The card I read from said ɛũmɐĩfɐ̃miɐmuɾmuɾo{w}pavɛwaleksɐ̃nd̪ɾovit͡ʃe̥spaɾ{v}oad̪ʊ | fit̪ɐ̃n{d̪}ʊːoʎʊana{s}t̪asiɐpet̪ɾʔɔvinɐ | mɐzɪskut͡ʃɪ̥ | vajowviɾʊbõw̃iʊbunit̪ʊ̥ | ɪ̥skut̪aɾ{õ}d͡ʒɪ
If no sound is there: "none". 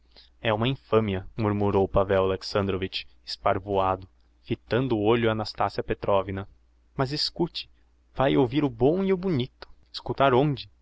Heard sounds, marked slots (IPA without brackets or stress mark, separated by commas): w, v, d̪, s, õ